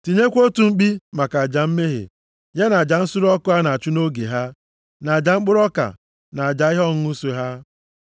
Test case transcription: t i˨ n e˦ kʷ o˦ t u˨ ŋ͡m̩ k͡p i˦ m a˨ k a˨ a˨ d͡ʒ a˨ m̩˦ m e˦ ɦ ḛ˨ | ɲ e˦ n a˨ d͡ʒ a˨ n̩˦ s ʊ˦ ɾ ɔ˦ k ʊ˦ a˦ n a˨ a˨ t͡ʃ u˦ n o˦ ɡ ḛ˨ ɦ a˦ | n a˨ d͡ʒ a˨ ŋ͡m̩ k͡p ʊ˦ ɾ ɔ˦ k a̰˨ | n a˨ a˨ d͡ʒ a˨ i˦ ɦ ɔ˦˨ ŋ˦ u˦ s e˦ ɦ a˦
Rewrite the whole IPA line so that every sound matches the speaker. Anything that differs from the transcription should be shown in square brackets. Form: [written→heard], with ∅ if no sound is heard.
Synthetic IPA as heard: t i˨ [n→ɲ] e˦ kʷ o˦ t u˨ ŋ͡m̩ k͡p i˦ m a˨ k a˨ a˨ d͡ʒ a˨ m̩˦ m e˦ ɦ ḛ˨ | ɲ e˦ n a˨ d͡ʒ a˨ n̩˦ s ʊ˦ ɾ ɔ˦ k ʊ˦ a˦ n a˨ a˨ t͡ʃ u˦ n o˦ ɡ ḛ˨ ɦ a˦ | n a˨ d͡ʒ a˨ ŋ͡m̩ k͡p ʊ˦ ɾ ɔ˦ k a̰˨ | n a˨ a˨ d͡ʒ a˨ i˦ ɦ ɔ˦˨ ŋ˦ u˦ s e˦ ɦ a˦